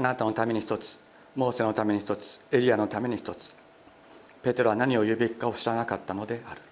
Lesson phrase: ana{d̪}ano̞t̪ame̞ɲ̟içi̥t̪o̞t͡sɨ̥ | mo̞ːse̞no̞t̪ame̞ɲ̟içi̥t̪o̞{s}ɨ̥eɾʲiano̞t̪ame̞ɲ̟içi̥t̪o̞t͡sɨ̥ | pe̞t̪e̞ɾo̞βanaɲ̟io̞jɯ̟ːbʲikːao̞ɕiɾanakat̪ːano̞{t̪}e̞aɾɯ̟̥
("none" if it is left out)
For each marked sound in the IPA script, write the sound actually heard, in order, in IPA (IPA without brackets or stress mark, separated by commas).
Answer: t̪, t͡s, d̪